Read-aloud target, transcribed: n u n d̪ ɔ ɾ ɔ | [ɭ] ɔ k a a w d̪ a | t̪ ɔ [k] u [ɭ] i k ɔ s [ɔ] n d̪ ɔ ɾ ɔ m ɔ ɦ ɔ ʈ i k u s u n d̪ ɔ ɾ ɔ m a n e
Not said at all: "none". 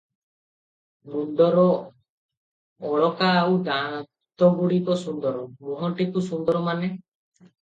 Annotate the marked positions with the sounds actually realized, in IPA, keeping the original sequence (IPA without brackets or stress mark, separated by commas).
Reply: ɭ, ɡ, ɽ, u